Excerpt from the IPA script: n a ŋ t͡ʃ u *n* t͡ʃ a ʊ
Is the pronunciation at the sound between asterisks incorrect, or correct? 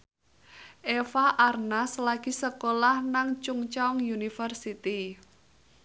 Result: incorrect